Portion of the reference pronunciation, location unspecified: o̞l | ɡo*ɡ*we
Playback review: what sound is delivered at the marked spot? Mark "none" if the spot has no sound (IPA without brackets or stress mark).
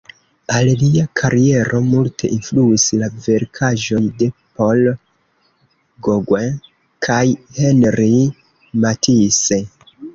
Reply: ɡ